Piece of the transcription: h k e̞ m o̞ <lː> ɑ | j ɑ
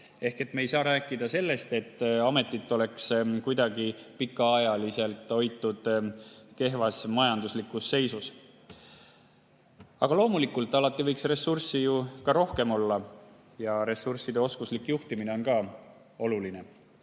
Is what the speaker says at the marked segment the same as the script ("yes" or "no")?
yes